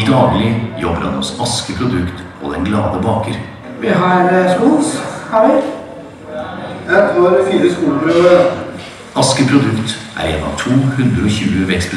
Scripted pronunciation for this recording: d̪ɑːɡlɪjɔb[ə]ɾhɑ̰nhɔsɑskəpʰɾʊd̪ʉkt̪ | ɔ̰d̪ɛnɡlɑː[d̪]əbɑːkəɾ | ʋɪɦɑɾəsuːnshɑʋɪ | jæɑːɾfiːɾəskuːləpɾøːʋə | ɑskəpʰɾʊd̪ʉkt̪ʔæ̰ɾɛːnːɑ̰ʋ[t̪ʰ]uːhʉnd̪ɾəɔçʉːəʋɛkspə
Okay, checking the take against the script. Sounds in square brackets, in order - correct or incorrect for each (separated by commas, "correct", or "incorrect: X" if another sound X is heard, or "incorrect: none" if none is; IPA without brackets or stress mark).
correct, correct, correct